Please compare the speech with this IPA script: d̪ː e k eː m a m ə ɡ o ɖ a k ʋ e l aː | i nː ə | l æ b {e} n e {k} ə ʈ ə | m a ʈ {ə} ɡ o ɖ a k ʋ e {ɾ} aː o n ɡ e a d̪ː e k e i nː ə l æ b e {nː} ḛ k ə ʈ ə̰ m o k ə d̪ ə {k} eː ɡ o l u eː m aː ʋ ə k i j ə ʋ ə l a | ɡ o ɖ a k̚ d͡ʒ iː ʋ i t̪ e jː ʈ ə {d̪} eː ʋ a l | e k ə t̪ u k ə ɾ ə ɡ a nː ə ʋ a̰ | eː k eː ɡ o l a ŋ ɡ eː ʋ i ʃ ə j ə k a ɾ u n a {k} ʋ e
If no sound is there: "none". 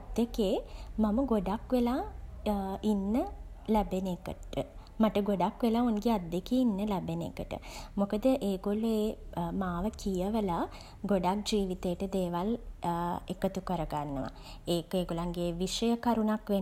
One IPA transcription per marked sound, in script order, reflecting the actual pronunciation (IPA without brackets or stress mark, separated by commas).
e, k, ə, l, n, ʔ, d̪, k